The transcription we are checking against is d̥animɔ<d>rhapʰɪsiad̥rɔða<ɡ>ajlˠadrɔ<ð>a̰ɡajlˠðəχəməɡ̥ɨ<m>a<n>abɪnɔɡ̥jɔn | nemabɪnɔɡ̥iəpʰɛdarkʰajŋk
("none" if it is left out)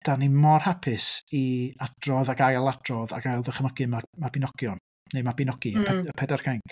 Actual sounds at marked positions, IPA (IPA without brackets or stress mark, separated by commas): none, ɡ, ð, m, m